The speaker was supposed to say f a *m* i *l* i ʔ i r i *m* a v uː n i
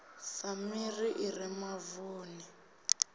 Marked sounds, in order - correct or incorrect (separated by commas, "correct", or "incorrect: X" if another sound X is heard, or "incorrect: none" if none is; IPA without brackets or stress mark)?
correct, incorrect: r, correct